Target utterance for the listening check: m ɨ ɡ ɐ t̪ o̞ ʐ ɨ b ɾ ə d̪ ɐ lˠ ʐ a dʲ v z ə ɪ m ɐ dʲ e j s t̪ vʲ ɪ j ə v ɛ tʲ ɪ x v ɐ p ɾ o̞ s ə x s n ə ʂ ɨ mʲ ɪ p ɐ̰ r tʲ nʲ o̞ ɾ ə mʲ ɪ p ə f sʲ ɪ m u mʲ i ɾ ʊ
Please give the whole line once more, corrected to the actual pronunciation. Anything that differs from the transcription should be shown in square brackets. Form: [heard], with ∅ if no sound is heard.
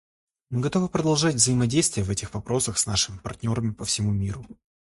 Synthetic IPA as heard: m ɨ ɡ ɐ t̪ o̞ [v] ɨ [p] ɾ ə d̪ ɐ lˠ ʐ a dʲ v z ə ɪ m ɐ dʲ e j s t̪ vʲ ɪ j ə v ɛ tʲ ɪ x v ɐ p ɾ o̞ s ə x s n [a] ʂ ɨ mʲ ɪ p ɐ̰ r tʲ nʲ o̞ ɾ ə mʲ ɪ p ə f sʲ ɪ m u mʲ i ɾ ʊ